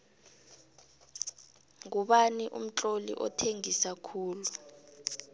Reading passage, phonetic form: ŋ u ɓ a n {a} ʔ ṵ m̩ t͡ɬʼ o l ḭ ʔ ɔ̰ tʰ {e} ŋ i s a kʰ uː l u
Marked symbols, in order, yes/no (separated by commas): no, yes